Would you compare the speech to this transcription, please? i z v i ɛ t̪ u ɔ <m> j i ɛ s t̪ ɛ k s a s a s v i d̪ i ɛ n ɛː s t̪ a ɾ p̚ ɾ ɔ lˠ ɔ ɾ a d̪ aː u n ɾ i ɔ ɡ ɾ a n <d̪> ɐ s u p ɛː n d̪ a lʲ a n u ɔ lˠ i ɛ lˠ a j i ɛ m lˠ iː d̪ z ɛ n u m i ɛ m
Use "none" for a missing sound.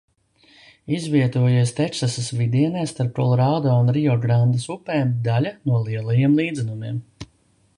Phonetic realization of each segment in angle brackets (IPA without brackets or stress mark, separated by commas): none, d̪